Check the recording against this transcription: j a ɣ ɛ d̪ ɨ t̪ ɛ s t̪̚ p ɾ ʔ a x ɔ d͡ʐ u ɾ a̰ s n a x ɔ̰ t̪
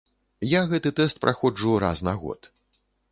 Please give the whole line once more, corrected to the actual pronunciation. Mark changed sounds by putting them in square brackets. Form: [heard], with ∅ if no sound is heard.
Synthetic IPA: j a ɣ ɛ [t̪] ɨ t̪ ɛ s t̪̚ p ɾ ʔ a x ɔ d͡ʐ u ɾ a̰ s n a [ɣ] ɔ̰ t̪